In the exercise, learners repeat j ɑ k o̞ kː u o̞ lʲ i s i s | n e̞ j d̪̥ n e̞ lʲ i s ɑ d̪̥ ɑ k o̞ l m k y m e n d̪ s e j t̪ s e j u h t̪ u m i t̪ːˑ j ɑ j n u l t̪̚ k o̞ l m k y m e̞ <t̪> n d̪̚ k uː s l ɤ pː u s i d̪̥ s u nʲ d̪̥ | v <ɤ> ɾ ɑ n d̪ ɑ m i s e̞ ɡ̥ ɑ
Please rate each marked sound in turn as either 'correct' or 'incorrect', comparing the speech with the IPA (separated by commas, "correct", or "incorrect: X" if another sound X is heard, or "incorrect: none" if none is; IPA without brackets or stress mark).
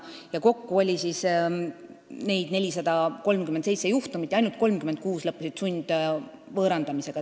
incorrect: none, incorrect: ɤː